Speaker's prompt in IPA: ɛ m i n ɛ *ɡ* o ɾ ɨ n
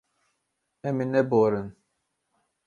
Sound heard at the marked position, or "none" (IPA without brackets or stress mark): b